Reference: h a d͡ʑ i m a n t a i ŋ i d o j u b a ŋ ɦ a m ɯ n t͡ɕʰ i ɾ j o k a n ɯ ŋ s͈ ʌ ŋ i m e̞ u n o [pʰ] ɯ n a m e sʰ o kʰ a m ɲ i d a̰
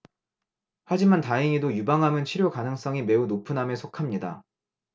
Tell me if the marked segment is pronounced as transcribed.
yes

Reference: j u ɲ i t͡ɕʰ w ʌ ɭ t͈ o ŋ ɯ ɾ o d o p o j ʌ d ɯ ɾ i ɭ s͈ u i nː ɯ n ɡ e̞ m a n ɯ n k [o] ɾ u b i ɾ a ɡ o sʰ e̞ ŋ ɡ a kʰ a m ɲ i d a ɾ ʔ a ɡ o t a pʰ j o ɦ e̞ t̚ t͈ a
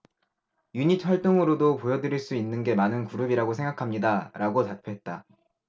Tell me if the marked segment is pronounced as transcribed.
no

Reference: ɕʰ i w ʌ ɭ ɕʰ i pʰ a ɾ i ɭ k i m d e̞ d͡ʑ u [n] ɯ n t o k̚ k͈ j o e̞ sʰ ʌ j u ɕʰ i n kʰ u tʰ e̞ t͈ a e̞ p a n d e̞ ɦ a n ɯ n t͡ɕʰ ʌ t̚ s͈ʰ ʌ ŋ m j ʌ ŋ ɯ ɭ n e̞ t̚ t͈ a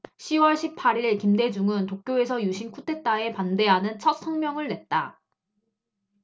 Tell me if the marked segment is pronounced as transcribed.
no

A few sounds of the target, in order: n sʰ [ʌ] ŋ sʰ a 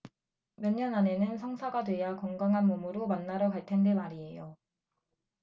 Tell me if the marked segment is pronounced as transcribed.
yes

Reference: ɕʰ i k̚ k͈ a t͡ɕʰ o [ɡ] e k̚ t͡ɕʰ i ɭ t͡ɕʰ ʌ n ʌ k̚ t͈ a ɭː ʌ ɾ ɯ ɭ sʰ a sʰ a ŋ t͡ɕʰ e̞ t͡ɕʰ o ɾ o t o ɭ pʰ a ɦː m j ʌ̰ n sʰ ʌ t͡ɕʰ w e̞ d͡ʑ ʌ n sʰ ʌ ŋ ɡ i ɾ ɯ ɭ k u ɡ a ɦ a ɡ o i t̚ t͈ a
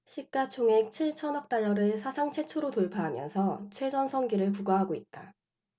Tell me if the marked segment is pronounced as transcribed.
no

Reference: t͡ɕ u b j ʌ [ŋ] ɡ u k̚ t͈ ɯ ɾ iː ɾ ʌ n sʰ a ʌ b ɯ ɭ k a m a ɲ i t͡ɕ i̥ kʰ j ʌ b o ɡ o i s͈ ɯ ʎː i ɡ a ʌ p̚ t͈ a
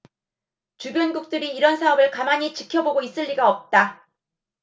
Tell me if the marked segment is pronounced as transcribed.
no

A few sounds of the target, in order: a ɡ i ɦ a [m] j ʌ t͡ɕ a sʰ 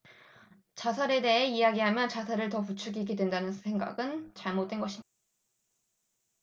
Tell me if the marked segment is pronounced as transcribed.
yes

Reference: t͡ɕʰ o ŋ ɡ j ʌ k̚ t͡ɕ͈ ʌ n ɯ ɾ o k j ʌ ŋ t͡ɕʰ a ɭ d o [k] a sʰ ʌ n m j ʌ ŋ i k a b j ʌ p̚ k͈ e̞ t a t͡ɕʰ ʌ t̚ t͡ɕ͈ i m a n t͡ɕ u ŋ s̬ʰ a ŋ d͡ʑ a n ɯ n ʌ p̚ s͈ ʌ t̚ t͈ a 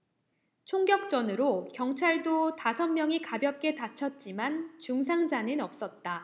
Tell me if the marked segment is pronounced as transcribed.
no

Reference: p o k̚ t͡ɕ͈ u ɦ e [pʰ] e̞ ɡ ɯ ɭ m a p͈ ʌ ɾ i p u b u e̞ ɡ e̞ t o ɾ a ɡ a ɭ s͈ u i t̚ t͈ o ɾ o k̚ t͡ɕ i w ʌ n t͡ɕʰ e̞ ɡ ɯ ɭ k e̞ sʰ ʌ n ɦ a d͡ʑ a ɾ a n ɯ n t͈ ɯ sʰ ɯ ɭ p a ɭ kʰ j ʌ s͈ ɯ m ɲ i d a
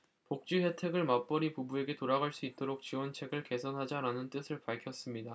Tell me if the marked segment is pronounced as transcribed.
no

